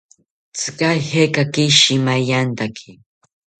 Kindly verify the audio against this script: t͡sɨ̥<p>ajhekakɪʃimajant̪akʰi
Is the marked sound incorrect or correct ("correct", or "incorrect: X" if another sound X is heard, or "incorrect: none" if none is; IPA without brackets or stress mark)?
incorrect: k